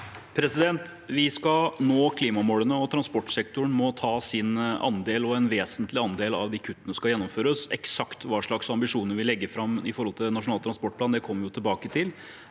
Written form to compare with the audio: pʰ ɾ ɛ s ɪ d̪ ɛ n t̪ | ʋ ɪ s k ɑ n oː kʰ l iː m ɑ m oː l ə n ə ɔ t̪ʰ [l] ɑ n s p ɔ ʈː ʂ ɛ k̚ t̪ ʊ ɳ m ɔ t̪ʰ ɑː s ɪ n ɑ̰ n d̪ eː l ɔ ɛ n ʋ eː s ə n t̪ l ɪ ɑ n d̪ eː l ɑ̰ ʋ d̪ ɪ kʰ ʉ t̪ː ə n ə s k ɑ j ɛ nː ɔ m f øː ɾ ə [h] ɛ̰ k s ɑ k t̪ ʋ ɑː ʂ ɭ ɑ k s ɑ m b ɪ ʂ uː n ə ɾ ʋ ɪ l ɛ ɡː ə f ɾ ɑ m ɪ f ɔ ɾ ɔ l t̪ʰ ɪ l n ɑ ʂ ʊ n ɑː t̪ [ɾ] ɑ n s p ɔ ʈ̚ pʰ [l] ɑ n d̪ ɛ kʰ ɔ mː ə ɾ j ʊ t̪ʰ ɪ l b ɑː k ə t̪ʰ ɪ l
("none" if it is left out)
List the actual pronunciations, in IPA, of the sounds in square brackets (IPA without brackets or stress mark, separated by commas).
ɾ, s, ɾ, l